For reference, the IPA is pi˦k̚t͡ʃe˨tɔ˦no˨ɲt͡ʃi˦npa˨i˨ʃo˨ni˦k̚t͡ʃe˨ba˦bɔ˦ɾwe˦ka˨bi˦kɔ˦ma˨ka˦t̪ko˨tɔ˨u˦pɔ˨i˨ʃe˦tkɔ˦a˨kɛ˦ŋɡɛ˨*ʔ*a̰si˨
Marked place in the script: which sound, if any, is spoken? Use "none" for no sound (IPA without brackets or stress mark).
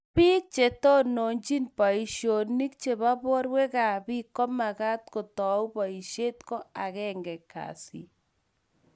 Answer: k